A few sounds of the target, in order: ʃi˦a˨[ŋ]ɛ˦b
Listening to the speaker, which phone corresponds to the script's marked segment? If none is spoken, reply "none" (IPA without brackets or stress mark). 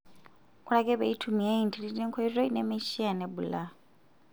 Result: n